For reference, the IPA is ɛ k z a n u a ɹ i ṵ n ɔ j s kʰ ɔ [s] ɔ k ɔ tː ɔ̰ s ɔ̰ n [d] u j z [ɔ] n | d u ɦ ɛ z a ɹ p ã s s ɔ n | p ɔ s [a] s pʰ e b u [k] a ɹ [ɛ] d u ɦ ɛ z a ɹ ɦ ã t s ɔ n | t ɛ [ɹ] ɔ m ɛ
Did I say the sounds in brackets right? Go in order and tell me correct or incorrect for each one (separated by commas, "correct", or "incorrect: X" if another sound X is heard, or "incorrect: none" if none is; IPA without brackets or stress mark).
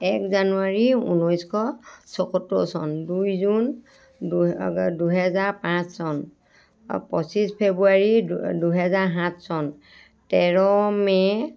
correct, correct, incorrect: u, incorrect: i, incorrect: none, incorrect: i, correct